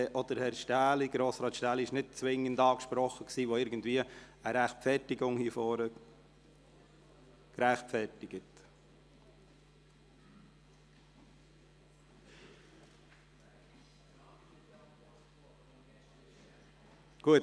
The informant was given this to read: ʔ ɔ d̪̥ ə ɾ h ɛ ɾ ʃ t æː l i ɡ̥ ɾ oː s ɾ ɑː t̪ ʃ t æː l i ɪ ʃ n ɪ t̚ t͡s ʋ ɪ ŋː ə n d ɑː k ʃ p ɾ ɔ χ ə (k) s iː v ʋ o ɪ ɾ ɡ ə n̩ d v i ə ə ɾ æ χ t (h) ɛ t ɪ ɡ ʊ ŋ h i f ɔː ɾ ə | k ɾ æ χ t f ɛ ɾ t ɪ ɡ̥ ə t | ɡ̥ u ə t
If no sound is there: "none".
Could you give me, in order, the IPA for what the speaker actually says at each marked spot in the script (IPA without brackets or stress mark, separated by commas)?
k, f